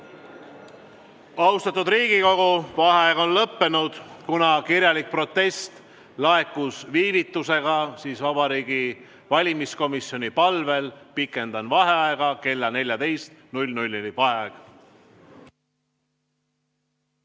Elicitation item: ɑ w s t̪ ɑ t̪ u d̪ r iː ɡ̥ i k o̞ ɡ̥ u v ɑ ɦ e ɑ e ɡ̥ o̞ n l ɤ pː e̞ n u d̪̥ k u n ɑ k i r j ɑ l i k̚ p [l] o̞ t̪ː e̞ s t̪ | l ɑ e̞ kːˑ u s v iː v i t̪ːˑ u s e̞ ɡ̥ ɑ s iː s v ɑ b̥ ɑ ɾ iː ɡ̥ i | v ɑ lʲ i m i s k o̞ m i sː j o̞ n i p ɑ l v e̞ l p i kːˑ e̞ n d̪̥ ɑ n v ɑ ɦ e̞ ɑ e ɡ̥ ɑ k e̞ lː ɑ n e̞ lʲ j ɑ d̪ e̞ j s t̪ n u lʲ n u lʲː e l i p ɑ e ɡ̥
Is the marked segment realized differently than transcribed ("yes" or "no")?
yes